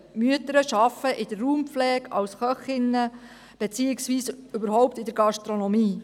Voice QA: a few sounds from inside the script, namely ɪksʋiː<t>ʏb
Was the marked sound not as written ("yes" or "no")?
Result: yes